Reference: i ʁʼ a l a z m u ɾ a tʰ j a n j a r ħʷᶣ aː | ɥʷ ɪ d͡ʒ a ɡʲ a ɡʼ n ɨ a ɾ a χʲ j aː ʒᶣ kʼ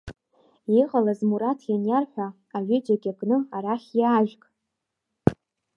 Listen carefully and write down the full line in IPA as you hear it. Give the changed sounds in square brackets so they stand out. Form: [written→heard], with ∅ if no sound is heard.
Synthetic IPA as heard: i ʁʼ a l a z m u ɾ a tʰ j a n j a r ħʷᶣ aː | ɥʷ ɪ d͡ʒ a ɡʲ a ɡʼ n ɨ a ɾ a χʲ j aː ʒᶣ kʼ